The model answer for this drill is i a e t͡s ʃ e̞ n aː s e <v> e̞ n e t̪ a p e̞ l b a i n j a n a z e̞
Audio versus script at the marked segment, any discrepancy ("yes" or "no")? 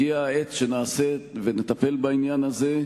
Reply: no